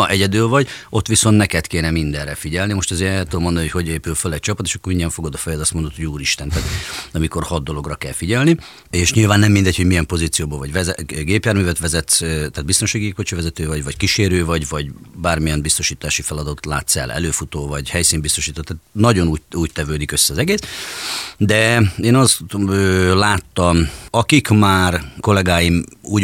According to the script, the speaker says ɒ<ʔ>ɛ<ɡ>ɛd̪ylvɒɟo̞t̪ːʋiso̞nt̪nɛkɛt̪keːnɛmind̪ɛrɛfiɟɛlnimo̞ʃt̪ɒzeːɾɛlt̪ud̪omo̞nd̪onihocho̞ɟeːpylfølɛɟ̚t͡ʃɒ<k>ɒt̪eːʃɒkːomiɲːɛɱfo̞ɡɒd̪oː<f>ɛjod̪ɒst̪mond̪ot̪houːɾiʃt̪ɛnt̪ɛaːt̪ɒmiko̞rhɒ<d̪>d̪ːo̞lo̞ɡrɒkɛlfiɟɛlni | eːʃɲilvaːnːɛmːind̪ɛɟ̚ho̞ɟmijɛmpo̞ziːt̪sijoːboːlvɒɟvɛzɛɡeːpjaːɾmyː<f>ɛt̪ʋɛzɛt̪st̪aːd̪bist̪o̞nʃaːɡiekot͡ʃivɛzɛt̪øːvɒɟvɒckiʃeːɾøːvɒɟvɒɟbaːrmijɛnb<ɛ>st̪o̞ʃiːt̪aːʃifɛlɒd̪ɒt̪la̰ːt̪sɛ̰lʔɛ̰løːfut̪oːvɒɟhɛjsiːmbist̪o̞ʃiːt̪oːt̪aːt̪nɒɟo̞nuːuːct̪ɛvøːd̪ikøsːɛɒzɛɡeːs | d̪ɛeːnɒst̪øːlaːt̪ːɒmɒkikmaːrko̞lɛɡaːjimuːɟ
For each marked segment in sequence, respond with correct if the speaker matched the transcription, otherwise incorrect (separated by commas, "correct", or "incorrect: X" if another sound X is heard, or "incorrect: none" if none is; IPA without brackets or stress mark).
correct, incorrect: ɟ, incorrect: p, correct, correct, incorrect: v, incorrect: i